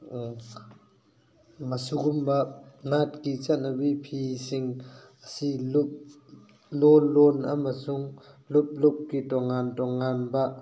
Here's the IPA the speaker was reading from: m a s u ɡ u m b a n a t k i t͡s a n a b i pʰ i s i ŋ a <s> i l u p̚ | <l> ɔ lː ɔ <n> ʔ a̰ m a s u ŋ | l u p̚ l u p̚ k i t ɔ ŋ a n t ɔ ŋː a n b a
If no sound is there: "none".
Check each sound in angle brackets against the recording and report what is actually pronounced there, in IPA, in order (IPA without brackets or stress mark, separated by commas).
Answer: s, l, n